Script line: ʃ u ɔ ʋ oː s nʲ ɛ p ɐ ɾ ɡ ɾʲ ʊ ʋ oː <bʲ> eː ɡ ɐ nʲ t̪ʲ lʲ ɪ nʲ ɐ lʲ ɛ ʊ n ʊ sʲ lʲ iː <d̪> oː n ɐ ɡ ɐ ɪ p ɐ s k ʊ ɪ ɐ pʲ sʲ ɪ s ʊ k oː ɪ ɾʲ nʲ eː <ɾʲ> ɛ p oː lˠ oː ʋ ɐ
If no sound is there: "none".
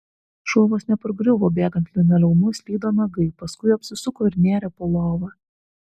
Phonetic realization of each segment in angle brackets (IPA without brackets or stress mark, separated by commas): bʲ, d̪, ɾʲ